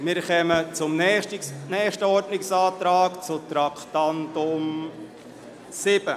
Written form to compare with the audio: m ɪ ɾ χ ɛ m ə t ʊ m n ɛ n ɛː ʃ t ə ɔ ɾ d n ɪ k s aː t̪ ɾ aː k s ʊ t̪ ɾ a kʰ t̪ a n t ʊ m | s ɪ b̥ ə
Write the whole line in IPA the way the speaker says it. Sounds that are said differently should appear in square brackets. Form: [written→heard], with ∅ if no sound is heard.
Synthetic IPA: m ɪ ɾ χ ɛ m ə [t→t͡s] ʊ m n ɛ n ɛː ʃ t ə ɔ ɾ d n ɪ k s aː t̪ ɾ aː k [s→t͡s] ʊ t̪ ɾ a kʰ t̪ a n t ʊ m | s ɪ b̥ ə